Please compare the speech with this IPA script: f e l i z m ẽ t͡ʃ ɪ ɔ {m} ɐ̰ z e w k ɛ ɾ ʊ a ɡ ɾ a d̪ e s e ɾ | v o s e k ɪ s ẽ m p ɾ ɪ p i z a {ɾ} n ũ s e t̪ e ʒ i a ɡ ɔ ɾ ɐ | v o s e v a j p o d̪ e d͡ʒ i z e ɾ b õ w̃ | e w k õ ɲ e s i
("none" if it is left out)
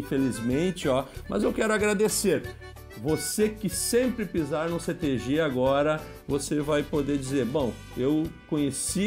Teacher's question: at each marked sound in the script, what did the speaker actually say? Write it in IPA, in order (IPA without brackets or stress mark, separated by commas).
m, ɾ